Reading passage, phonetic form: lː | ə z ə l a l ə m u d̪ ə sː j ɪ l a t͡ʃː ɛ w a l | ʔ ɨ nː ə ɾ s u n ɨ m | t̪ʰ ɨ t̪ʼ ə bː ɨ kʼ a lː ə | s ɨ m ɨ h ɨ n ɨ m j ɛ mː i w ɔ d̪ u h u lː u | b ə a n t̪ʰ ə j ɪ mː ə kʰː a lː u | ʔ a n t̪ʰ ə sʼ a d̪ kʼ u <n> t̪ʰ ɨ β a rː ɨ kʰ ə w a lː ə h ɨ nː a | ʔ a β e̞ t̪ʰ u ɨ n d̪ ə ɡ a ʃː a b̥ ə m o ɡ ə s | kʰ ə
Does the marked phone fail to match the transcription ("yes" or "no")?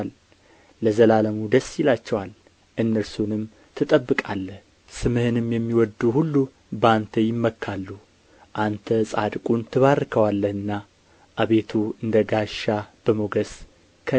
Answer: no